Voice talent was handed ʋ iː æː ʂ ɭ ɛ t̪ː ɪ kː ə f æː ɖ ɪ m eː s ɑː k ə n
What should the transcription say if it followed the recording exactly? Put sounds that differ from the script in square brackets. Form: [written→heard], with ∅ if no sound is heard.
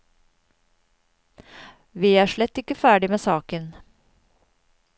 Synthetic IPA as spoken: ʋ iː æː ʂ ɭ ɛ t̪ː ɪ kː ə f æː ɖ ɪ m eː s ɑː k ə n